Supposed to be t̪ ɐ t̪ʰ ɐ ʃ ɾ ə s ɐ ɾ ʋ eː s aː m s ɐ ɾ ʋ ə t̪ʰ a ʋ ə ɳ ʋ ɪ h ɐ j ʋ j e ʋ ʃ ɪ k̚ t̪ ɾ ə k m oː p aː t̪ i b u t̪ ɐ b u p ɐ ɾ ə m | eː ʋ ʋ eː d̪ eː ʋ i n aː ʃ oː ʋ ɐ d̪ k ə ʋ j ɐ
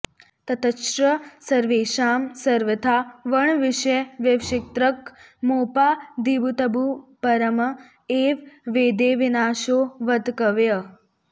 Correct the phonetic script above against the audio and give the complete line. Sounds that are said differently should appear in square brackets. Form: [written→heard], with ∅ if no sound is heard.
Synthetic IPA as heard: t̪ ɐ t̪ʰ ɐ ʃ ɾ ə s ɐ ɾ ʋ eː [s→ʃ] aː m s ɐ ɾ ʋ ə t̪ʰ a ʋ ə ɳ ʋ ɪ [h→ʃ] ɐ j ʋ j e ʋ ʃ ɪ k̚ t̪ ɾ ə k m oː p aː [t̪→d̪] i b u t̪ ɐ b u p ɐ ɾ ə m | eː ʋ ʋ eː d̪ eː ʋ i n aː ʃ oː ʋ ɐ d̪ k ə ʋ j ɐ